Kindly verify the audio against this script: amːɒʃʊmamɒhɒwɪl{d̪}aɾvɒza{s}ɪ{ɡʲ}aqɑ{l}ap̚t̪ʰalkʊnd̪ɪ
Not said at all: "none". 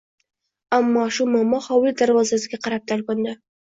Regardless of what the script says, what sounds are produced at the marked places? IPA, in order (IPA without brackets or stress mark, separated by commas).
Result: d̪, s, ɡʲ, ɾ